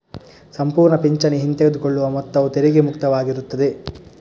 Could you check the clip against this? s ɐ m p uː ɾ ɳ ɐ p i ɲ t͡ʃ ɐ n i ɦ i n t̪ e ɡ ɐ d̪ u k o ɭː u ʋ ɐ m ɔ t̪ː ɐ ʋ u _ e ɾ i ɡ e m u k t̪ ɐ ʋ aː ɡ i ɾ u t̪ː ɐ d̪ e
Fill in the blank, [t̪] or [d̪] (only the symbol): t̪